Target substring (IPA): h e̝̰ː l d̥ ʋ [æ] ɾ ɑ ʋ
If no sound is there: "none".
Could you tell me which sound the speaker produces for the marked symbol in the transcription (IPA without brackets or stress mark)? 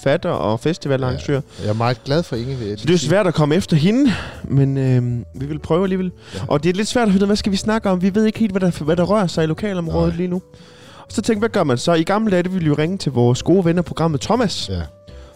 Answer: æ